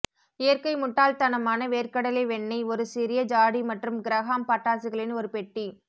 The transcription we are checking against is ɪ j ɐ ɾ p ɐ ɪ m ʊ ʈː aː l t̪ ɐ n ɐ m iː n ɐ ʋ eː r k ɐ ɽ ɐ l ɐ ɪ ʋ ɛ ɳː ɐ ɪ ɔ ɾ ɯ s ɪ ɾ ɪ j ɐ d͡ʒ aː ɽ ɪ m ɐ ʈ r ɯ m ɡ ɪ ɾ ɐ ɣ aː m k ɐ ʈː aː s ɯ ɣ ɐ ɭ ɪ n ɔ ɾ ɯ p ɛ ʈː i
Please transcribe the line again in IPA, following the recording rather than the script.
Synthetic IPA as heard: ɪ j ɐ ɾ k ɐ ɪ m ʊ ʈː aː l t̪ ɐ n ɐ m aː n ɐ ʋ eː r k ɐ ɽ ɐ l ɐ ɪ ʋ ɛ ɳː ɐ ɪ ɔ ɾ ɯ s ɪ ɾ ɪ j ɐ d͡ʒ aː ɽ i m ɐ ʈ r ɯ m ɡ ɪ ɾ ɐ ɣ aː m p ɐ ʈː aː s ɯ ɣ ɐ ɭ ɪ n ɔ ɾ ɯ p ɛ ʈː i